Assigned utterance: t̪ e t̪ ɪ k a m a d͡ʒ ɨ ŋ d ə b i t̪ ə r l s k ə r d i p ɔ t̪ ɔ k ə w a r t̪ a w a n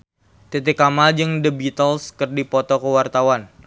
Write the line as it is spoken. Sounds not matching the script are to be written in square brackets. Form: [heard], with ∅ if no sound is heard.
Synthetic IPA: t̪ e t̪ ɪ k a m a d͡ʒ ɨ ŋ d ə b i t̪ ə [∅] l s k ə r d i p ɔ t̪ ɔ k ə w a r t̪ a w a n